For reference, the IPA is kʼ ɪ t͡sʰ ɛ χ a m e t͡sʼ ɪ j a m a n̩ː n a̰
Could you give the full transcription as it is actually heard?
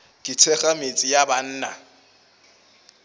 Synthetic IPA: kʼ ɪ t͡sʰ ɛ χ a m e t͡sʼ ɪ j a b a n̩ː n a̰